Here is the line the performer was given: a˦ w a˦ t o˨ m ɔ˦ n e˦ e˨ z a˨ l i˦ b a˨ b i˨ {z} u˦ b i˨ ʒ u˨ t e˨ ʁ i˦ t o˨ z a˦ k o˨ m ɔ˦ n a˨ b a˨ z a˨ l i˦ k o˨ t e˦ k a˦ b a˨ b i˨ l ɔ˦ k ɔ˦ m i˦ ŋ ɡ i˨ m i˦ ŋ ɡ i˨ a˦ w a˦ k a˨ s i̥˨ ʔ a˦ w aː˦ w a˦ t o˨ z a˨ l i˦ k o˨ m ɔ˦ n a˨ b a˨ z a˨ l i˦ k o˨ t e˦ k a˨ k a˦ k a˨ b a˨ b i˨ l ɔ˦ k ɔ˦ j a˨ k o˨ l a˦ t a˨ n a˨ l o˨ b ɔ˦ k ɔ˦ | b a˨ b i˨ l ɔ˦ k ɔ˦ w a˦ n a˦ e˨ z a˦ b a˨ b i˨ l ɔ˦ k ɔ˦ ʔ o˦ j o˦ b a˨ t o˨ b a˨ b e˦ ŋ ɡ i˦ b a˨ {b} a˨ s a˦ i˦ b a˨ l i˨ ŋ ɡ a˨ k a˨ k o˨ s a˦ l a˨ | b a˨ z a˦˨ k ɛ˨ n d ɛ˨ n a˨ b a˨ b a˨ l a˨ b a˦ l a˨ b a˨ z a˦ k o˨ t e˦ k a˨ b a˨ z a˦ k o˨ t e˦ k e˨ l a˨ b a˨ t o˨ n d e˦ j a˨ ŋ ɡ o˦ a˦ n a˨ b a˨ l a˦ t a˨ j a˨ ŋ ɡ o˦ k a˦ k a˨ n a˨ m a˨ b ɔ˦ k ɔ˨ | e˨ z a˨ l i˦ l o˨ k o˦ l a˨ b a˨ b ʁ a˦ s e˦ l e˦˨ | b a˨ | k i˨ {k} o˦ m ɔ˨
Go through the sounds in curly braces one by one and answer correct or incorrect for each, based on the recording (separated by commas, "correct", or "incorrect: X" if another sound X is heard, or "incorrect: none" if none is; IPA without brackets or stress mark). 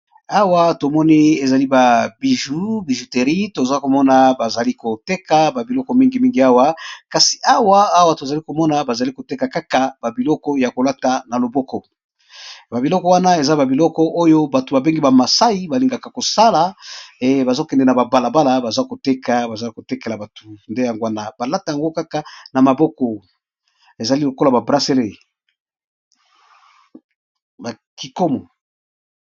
incorrect: ʒ, incorrect: m, correct